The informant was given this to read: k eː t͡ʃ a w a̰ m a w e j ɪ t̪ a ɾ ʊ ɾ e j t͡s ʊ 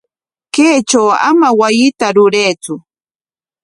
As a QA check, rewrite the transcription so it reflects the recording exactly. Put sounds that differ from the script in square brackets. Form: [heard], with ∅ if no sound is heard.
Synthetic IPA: k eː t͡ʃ a w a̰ m a w [a] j ɪ t̪ a ɾ ʊ ɾ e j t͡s ʊ